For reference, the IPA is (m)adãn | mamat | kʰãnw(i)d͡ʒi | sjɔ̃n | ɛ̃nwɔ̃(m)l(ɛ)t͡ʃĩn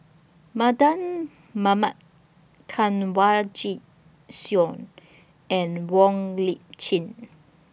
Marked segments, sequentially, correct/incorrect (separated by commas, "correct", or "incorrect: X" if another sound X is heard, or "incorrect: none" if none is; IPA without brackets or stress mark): correct, incorrect: a, incorrect: ŋ, incorrect: i